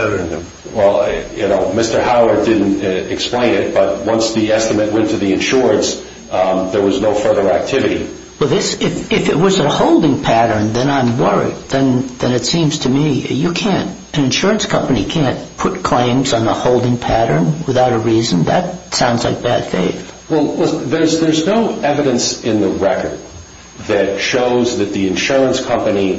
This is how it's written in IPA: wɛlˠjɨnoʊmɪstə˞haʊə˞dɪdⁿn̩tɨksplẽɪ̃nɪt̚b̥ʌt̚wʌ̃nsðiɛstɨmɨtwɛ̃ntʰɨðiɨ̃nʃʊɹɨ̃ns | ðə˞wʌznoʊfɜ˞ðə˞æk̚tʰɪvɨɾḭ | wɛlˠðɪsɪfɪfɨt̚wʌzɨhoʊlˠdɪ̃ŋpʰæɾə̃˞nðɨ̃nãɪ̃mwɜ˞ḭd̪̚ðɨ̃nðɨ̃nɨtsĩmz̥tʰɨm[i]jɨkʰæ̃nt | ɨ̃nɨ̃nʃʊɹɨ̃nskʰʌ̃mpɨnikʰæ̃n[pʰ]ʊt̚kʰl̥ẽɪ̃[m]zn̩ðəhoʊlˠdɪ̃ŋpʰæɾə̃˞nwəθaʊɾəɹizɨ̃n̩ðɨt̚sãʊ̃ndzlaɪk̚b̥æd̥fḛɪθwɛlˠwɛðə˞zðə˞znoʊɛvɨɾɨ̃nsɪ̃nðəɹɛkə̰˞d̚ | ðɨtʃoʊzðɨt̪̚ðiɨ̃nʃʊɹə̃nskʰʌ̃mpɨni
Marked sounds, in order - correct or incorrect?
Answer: correct, correct, correct

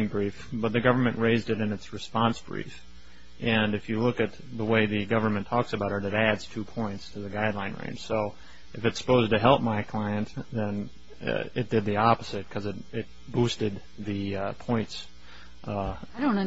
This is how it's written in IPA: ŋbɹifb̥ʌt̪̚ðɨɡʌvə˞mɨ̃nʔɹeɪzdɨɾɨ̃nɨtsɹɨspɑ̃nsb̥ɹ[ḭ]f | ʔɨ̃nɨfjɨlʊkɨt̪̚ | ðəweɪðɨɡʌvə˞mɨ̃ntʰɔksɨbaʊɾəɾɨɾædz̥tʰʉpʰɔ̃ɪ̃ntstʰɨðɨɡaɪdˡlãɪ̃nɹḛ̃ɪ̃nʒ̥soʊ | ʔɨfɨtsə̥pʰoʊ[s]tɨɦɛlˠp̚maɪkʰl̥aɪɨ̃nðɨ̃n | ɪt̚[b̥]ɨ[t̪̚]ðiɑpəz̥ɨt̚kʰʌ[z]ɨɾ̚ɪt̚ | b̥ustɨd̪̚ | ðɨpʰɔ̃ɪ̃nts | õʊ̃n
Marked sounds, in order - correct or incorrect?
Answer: correct, incorrect: z, incorrect: d̥, incorrect: d̪̚, correct

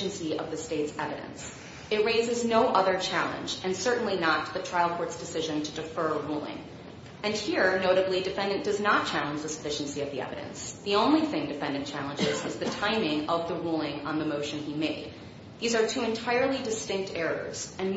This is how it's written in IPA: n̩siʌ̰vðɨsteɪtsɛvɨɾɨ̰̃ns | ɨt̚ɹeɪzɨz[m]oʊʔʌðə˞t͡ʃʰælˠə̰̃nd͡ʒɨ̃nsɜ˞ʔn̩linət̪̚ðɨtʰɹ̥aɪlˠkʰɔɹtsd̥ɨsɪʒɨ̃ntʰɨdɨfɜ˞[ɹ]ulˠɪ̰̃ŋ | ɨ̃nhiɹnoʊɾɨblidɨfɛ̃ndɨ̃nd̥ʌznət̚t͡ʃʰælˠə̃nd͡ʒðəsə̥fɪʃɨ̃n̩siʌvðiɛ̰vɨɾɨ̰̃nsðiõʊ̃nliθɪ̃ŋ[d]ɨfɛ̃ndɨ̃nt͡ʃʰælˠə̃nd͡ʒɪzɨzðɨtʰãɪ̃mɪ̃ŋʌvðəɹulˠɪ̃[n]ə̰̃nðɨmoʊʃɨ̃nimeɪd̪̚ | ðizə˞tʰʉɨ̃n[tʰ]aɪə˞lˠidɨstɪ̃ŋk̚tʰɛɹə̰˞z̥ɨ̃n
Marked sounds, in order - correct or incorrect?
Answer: incorrect: n, correct, correct, incorrect: ŋ, correct

